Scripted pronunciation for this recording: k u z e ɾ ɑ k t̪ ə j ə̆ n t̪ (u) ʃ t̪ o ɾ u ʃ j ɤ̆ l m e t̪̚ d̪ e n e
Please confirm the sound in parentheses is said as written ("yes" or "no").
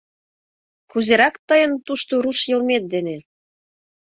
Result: yes